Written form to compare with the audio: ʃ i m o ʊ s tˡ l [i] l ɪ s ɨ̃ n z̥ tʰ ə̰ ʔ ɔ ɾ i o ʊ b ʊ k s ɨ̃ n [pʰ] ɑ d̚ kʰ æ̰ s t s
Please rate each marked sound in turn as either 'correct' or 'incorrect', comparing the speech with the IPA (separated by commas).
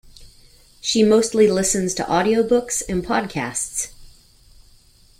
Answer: correct, correct